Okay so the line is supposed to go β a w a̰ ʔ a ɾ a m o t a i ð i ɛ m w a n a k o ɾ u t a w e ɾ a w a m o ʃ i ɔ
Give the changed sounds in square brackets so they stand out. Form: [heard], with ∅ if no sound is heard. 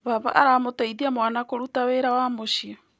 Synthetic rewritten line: β a [β] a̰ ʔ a ɾ a m o t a i ð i [a] m w a n a k o ɾ u t a w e ɾ a w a m o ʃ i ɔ

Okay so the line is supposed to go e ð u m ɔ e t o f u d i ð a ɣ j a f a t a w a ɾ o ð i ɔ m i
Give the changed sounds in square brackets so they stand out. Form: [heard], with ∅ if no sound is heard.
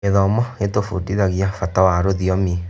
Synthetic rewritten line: e ð [ɔ] m ɔ e t o f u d i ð a ɣ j a f a t a w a ɾ o ð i ɔ m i

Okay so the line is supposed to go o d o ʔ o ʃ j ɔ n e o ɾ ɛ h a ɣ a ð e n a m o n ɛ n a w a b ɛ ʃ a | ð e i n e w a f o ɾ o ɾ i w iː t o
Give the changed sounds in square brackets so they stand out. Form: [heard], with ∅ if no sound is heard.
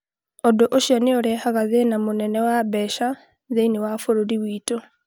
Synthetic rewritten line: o d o ʔ o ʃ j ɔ n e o ɾ ɛ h a ɣ a ð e n a m o n ɛ n [ɛ] w a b ɛ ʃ a | ð e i n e w a f o ɾ o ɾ i w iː t o

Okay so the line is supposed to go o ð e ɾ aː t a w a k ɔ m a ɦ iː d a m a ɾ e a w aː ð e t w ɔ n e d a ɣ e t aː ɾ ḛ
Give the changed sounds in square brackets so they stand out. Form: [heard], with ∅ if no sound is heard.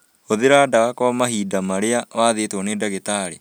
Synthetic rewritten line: o ð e ɾ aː [d] a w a k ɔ m a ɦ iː d a m a ɾ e a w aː ð e t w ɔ n e d a ɣ e t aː ɾ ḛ

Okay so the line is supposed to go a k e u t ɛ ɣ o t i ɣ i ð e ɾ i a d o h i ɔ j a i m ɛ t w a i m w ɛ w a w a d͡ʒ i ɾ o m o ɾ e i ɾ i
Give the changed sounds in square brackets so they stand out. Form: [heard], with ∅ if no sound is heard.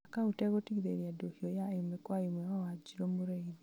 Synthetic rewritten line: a k [a] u t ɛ ɣ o t i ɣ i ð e ɾ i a d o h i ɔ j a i m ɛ [k] w a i m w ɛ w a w a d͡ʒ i ɾ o m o ɾ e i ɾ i

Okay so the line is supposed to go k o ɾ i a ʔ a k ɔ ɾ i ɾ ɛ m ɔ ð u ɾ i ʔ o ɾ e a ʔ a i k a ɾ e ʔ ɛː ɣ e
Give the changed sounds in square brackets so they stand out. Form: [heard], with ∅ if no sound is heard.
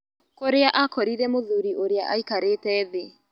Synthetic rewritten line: k o ɾ [e] a ʔ a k ɔ ɾ i ɾ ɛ m [o] ð u ɾ i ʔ o ɾ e a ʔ a i k a ɾ e [t] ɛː [ð] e

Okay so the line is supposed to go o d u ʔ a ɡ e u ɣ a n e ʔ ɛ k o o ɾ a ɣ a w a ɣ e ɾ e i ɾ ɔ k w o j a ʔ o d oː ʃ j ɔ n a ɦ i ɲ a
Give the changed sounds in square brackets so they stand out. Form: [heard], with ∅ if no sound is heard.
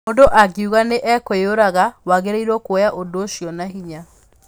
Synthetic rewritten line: o d [o] ʔ a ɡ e u ɣ a n e ʔ ɛ k o o ɾ a ɣ a w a ɣ e ɾ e i ɾ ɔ k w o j a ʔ o d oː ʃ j ɔ n a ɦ i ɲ a

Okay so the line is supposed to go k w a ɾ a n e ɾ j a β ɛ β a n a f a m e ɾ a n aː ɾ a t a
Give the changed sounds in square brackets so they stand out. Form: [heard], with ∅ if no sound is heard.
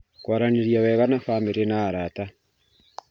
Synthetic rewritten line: k w a ɾ a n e ɾ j a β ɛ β a n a f a m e ɾ [e] n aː ɾ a t a

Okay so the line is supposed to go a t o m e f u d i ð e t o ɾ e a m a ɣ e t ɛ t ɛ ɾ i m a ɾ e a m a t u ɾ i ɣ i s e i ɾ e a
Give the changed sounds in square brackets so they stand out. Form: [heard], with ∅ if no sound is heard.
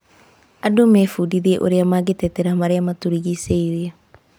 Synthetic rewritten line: a [d] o m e f u d i ð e [ʔ] o ɾ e a m a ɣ e t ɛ t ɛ ɾ [a] m a ɾ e a m a t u ɾ i ɣ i s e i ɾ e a

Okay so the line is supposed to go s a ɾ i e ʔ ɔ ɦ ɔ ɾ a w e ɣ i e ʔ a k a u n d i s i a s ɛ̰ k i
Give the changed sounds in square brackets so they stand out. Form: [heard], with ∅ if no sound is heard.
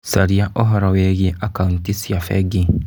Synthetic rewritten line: s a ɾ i [a] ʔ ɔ ɦ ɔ ɾ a w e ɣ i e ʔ a k a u n [t] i s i a [f] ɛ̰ [ɡ] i

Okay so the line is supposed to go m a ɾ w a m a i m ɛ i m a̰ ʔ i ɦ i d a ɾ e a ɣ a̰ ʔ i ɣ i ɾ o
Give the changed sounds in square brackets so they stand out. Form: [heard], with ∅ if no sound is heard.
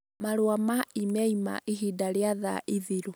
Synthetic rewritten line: m a ɾ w a m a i m ɛ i m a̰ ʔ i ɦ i d a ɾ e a [ð] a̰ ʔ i [ð] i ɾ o

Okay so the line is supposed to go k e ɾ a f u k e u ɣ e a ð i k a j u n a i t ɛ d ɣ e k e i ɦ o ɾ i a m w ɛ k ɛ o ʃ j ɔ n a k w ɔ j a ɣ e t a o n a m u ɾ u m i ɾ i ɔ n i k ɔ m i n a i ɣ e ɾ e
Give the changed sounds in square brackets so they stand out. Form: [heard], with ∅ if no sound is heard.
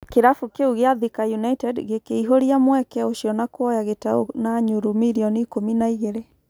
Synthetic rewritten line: k e ɾ a f u k e u ɣ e a ð i k a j u n a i t ɛ d ɣ e k e i ɦ o ɾ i a m w ɛ k ɛ o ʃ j ɔ n a k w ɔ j a ɣ e t a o n a [ɲ] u ɾ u m i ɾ i ɔ n i k [o] m i n a i ɣ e ɾ e

